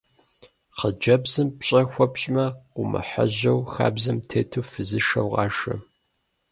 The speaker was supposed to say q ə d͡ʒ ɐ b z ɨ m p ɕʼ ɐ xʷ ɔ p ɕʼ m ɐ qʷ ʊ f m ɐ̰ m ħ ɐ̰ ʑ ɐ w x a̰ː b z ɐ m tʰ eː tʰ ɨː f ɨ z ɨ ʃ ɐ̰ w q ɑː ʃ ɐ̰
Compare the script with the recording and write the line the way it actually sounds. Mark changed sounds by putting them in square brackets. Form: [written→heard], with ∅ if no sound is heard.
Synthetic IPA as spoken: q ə d͡ʒ ɐ b z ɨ m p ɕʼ ɐ xʷ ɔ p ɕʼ m ɐ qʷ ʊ [f→∅] m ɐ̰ [m→∅] ħ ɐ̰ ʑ ɐ w x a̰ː b z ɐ m tʰ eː tʰ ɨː f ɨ z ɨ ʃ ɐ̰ w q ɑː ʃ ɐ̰

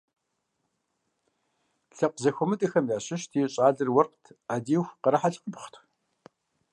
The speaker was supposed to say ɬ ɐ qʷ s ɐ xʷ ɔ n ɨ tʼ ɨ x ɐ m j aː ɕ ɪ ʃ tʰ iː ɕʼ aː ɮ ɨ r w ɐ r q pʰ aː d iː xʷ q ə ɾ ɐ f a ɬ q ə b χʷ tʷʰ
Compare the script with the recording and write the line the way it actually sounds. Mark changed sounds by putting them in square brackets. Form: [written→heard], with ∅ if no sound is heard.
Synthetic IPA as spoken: ɬ ɐ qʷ [s→z] ɐ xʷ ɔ [n→m] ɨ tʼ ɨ x ɐ m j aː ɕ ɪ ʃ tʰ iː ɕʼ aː ɮ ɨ r w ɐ r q [pʰ→tʰ] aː d iː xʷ q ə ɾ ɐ [f→ħ] a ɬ q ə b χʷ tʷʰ

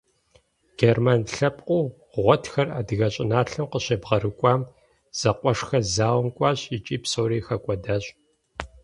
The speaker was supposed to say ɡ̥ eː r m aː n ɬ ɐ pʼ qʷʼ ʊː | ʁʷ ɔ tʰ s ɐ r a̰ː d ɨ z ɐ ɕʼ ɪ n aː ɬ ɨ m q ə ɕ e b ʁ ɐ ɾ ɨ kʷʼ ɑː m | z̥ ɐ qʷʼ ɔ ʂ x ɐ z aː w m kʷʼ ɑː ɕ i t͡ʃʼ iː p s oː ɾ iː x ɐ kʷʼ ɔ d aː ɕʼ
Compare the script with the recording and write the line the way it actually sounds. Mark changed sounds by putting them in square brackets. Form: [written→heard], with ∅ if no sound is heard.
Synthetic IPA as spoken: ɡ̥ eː r m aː n ɬ ɐ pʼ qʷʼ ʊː | ʁʷ ɔ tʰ [s→x] ɐ r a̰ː d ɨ [z→ɣ] ɐ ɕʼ ɪ n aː ɬ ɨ m q ə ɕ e b ʁ ɐ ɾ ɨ kʷʼ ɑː m | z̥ ɐ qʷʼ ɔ ʂ x ɐ z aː w m kʷʼ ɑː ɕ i t͡ʃʼ iː p s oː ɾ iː x ɐ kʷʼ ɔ d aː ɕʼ

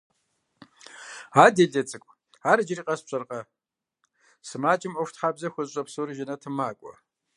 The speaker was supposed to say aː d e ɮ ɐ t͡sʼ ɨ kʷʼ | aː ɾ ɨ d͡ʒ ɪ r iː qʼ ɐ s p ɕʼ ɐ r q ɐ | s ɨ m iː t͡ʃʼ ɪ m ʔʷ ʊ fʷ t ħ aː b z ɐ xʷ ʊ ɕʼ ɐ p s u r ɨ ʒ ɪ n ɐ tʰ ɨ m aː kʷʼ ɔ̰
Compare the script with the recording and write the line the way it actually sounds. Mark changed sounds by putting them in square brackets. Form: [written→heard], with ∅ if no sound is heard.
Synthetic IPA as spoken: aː d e ɮ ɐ t͡sʼ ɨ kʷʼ | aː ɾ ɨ d͡ʒ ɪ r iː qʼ ɐ s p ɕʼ ɐ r q ɐ | s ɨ m [iː→aː] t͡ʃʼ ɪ m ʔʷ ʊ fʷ t ħ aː b z ɐ xʷ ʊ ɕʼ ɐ p s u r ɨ ʒ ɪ n ɐ tʰ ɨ m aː kʷʼ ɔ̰

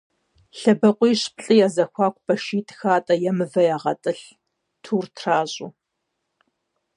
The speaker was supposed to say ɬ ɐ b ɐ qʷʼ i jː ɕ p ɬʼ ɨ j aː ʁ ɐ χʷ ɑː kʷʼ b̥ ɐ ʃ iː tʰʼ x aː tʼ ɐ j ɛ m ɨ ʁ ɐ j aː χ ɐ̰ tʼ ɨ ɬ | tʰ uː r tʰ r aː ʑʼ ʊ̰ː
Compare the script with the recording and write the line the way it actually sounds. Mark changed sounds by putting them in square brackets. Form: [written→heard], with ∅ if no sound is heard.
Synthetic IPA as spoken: ɬ ɐ b ɐ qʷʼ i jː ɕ p ɬʼ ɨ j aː [ʁ→z] ɐ [χʷ→xʷ] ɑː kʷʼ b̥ ɐ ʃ iː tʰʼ x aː tʼ ɐ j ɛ m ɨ [ʁ→v] ɐ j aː [χ→ʁ] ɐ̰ tʼ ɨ ɬ | tʰ uː r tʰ r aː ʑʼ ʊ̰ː

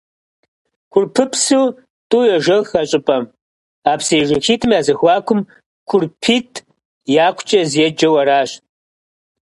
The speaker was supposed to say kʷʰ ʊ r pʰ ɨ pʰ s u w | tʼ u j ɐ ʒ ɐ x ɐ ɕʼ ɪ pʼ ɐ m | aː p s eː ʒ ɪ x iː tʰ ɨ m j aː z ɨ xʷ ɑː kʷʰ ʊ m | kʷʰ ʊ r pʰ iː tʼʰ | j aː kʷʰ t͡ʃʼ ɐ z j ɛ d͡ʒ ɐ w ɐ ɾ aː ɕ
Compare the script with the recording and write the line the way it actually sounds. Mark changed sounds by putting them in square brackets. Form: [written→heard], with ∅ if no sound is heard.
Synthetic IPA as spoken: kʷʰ ʊ r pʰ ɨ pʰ s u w | tʼ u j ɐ ʒ ɐ x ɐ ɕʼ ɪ pʼ ɐ m | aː p s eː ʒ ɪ x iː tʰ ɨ m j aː z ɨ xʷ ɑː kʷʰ ʊ m | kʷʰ ʊ r pʰ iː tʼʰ | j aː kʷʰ t͡ʃʼ ɐ z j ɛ d͡ʒ ɐ w ɐ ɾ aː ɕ

